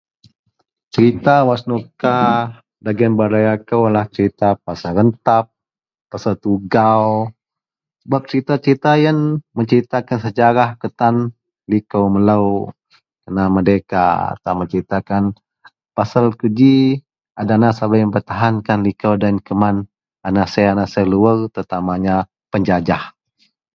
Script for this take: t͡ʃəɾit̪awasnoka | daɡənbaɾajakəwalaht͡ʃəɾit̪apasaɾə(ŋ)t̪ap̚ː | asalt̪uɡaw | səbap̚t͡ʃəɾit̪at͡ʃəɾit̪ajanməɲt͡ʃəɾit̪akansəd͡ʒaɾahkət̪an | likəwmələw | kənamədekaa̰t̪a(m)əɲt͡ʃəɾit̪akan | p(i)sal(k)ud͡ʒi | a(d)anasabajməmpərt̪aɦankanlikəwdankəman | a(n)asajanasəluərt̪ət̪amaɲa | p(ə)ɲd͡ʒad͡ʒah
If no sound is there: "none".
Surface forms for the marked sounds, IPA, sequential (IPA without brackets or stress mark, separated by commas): n, m, a, k, d, n, ə